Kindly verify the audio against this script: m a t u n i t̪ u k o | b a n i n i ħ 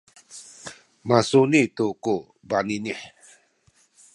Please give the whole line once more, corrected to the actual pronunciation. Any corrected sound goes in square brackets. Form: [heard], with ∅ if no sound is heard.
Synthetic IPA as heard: m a [s] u n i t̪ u k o | b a n i n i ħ